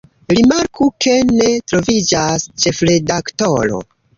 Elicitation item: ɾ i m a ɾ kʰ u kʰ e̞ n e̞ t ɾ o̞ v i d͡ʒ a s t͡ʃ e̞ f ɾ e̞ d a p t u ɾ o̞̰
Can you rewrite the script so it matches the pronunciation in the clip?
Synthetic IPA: ɾ i m a ɾ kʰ u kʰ e̞ n e̞ t ɾ o̞ v i d͡ʒ a s t͡ʃ e̞ f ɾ e̞ d a k t o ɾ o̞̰

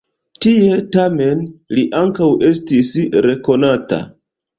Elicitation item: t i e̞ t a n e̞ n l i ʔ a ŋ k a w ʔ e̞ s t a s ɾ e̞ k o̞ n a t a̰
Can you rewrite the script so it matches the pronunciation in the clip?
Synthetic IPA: t i e̞ t a m e̞ n l i ʔ a ŋ k a w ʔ e̞ s t i s ɾ e̞ k o̞ n a t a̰

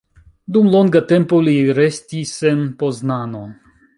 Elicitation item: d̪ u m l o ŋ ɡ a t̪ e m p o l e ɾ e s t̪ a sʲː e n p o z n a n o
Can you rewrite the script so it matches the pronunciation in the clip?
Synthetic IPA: d̪ u m l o ŋ ɡ a t̪ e m p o l i ɾ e s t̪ i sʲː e n p o z n a n o

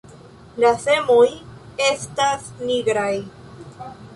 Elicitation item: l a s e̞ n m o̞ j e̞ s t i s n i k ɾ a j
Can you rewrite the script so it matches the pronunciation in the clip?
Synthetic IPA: l a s e̞ m o̞ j e̞ s t a s n i ɡ ɾ a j

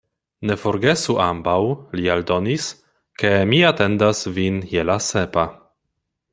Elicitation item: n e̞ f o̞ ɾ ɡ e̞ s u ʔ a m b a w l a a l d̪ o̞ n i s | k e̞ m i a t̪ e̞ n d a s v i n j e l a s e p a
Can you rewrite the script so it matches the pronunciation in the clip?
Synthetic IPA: n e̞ f o̞ ɾ ɡ e̞ s u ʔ a m b a w l i a l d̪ o̞ n i s | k e̞ m i a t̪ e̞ n d a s v i n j e l a s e p a

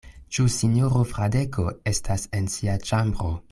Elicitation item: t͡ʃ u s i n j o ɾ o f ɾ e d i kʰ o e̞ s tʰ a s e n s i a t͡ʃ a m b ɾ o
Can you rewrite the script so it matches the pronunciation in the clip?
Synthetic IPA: t͡ʃ u s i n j o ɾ o f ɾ a d e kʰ o e̞ s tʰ a s e n s i a t͡ʃ a m b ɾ o

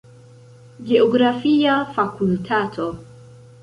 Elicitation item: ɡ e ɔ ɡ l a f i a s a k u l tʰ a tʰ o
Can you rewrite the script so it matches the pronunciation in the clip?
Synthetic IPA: ɡ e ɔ ɡ ɾ a f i a f a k u l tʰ a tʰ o

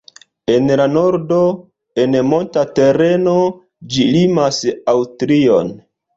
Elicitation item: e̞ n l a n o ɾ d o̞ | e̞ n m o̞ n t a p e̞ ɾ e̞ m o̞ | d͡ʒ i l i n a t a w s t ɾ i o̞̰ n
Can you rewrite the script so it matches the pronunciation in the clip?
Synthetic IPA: e̞ n l a n o ɾ d o̞ | e̞ n m o̞ n t a t e̞ ɾ e̞ n o̞ | d͡ʒ i l i m a s a w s t ɾ i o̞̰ n

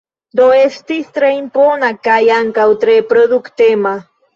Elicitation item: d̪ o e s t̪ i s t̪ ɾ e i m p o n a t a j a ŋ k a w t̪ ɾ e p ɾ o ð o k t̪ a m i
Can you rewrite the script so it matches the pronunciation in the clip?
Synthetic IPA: d̪ o e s t̪ i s t̪ ɾ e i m p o n a k a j a ŋ k a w t̪ ɾ e p ɾ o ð u k t̪ e m a

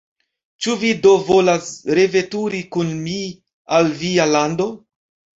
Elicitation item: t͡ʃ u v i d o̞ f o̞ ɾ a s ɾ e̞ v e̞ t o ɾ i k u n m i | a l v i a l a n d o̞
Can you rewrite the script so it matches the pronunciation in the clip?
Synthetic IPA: t͡ʃ u v i d o̞ v o̞ l a s ɾ e̞ v e̞ t u ɾ i k u n m i | a l v i a l a n d o̞

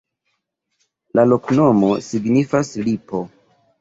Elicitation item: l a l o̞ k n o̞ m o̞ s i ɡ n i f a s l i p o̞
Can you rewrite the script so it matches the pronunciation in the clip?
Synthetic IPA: l a l o̞ k n o̞ m o̞ s i ɡ n i f a s l i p o̞

